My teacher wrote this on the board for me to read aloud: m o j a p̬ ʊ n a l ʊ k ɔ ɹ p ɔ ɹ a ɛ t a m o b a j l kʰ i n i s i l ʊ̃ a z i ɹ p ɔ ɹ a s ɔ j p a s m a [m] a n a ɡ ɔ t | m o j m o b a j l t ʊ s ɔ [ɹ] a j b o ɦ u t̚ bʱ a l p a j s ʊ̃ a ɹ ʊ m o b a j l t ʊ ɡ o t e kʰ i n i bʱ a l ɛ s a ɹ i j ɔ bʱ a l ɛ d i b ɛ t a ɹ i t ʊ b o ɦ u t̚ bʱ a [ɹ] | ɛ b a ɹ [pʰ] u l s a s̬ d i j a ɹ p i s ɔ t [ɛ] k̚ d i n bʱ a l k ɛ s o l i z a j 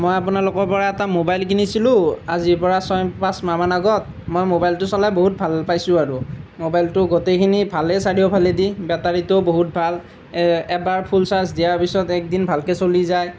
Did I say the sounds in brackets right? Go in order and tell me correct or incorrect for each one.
correct, incorrect: l, incorrect: l, correct, correct

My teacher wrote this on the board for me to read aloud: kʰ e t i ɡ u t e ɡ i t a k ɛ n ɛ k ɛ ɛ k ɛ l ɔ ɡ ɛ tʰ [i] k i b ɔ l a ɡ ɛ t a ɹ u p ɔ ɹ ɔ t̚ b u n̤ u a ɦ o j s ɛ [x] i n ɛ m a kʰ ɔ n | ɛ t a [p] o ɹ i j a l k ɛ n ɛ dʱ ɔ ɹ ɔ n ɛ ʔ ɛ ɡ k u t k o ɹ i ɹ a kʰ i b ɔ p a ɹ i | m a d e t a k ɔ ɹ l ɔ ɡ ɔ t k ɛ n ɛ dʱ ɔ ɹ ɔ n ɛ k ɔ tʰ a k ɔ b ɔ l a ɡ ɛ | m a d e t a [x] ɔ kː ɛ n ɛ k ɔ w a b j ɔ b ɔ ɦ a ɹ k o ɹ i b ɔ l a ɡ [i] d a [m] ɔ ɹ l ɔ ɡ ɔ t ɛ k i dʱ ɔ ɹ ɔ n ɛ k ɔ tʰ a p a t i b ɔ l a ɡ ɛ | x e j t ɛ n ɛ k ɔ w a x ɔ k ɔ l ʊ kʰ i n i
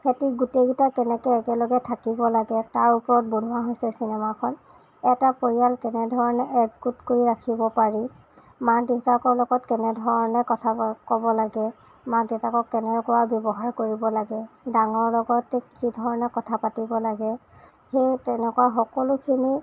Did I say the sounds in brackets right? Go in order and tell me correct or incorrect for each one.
incorrect: a, incorrect: s, correct, incorrect: k, incorrect: ɛ, incorrect: ŋ

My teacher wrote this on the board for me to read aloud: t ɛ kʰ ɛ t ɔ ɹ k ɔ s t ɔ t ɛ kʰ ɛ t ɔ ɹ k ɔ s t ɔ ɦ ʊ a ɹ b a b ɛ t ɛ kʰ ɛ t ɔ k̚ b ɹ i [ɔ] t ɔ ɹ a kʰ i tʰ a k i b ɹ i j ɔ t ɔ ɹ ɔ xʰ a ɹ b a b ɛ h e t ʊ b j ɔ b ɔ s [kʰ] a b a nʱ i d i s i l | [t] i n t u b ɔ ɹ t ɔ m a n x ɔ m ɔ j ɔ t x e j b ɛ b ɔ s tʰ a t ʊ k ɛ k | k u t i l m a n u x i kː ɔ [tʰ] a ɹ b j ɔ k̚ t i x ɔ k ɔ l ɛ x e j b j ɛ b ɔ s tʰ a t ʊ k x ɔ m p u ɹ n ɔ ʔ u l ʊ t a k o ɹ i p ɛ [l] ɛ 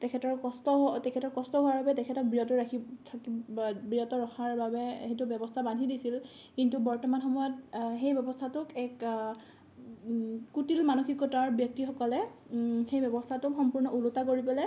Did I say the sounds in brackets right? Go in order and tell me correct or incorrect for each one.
correct, incorrect: tʰ, incorrect: k, incorrect: t, correct

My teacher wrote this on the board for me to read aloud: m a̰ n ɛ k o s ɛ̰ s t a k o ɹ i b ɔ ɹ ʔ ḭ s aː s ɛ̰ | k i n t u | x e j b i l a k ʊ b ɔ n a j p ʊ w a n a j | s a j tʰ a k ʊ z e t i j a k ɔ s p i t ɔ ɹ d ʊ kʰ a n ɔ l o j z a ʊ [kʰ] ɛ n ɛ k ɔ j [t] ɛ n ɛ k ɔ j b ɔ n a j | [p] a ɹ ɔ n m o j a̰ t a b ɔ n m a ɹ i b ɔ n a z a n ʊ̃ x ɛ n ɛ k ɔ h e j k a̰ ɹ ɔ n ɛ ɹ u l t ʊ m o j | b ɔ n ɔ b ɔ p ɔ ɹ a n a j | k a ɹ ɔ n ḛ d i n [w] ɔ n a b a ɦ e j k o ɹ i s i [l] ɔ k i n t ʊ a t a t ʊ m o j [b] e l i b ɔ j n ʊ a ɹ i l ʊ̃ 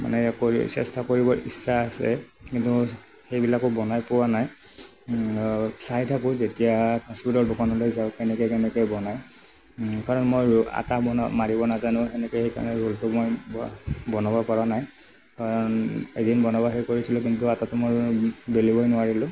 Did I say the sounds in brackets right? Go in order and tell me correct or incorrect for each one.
incorrect: k, incorrect: k, incorrect: k, incorrect: b, correct, correct

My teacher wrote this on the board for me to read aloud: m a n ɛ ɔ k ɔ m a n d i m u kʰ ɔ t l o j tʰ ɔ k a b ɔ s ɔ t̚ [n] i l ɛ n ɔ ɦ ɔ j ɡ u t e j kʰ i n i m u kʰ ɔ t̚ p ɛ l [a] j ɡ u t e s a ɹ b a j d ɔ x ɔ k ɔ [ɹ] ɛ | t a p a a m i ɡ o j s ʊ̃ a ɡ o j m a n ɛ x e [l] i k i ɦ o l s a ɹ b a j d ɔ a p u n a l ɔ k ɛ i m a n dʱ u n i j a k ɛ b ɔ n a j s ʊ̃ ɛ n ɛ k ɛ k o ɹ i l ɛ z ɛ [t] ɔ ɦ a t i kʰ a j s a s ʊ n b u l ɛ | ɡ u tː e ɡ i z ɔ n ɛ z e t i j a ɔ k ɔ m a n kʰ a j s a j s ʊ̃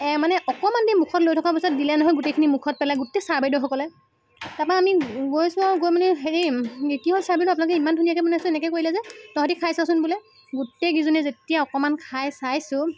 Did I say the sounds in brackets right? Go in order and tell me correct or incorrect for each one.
incorrect: d, correct, incorrect: l, incorrect: ɹ, correct

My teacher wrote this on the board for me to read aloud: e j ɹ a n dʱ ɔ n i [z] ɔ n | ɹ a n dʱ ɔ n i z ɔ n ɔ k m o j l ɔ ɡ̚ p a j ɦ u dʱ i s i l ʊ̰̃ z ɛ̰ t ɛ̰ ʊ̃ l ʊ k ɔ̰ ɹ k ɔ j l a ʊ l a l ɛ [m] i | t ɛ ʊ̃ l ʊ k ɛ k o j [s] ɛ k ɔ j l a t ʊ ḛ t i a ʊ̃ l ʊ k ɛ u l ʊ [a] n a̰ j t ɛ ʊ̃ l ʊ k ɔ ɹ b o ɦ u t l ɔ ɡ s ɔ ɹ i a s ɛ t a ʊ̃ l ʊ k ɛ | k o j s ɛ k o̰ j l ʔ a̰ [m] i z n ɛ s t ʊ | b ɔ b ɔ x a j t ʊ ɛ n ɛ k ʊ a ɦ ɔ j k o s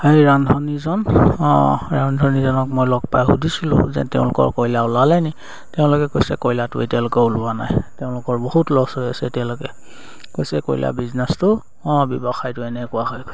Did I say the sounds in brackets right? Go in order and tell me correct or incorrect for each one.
correct, incorrect: n, correct, correct, incorrect: b

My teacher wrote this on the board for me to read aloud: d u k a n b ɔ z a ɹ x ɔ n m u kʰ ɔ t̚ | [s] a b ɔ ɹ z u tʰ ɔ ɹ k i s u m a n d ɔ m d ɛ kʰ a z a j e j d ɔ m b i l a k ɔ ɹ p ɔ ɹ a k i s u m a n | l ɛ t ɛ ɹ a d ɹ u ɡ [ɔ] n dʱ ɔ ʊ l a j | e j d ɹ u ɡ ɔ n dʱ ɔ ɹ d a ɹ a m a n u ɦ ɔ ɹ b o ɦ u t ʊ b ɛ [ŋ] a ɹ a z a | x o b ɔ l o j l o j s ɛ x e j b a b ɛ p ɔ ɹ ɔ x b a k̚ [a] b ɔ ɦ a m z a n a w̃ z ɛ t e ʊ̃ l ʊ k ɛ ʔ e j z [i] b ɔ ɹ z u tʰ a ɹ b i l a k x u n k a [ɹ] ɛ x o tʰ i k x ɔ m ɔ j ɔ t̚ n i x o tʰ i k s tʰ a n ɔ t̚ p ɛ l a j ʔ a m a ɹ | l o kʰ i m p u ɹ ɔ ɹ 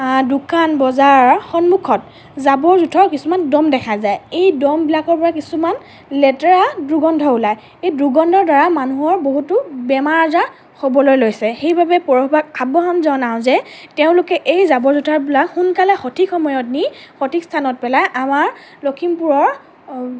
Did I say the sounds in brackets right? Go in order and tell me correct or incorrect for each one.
incorrect: z, correct, incorrect: m, correct, incorrect: a, incorrect: l

